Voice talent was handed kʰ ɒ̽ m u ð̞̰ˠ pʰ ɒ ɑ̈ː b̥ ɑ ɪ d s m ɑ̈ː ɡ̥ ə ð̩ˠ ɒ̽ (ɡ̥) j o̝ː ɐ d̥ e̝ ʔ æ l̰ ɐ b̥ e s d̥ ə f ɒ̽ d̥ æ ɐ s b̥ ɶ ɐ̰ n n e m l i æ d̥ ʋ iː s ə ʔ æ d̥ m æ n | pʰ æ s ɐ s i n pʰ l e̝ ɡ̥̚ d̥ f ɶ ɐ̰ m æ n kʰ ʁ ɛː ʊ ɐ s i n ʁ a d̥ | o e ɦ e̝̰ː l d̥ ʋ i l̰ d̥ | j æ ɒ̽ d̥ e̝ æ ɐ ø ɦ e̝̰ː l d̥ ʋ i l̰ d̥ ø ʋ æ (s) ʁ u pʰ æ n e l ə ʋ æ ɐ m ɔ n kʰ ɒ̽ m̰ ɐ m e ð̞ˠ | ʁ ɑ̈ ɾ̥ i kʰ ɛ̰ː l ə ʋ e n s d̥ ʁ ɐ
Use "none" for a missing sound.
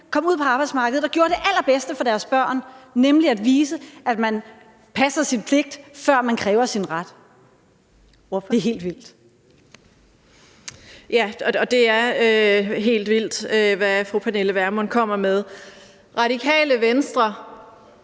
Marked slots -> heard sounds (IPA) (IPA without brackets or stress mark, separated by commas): ɡ̥, f